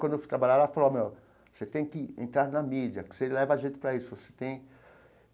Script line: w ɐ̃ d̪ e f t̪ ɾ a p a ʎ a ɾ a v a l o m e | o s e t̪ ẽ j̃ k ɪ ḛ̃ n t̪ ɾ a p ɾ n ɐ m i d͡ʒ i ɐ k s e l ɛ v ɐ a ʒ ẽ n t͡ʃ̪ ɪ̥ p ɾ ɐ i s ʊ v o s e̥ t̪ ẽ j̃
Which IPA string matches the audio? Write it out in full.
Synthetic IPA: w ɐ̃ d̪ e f t̪ ɾ a b a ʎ a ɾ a f a l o m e | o s e t̪ ẽ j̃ k ɪ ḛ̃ n t̪ ɾ a ɾ n ɐ m i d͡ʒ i ɐ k s e l ɛ v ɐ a ʒ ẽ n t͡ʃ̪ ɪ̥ p ɾ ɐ i s ʊ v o s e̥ t̪ ẽ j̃